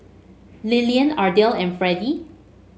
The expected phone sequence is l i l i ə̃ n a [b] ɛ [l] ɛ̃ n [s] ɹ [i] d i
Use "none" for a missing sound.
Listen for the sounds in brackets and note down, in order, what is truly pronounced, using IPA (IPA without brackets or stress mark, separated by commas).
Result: d, l, f, ɛ